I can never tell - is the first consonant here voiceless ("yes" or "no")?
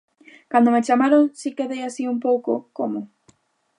yes